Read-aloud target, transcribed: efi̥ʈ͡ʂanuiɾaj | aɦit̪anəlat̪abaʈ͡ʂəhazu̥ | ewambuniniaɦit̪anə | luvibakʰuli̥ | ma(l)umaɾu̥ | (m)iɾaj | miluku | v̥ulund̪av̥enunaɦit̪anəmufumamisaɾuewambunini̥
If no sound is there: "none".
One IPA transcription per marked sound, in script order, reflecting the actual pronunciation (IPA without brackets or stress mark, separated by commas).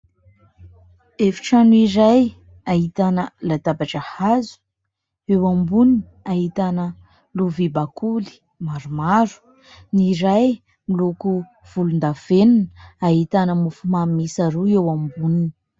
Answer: ɾ, n